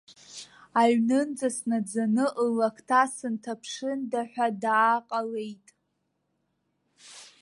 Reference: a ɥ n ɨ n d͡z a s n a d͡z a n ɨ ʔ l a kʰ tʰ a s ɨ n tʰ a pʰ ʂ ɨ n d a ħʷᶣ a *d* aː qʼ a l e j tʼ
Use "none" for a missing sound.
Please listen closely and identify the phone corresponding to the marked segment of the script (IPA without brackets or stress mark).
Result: d